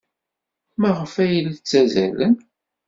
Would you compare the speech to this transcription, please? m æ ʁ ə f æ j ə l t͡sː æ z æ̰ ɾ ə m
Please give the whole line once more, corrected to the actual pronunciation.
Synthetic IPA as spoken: m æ ʁ ə f æ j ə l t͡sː æ z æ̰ l ə n

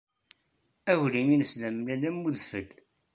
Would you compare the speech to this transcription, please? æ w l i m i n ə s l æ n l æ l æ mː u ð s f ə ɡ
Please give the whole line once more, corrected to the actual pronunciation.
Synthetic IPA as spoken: æ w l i m i n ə s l æ m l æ l æ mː u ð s f ə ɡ

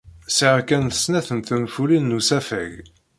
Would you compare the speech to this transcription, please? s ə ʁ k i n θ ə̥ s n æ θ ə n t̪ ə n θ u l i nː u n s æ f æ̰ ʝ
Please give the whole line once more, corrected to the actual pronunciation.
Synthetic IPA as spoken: s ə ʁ k æ n θ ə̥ s n æ θ ə n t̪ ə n f u l i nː u s æ f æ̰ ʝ

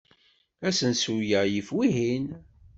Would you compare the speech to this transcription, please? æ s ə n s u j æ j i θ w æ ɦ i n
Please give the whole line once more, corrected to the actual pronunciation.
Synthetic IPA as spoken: æ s ə n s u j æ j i f w i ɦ i n

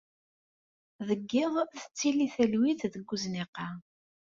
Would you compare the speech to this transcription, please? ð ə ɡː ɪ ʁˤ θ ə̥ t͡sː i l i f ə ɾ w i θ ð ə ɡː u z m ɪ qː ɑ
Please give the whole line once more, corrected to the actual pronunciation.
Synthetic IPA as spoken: ð ə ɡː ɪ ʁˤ θ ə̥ t͡sː i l i θ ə l w i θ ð ə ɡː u z n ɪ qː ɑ

